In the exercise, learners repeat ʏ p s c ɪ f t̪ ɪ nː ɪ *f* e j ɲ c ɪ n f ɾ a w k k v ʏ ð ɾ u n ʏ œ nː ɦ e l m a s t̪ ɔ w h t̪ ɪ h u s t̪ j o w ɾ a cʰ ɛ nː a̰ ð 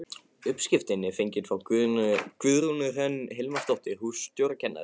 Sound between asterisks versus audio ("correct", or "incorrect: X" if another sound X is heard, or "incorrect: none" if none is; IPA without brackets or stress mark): correct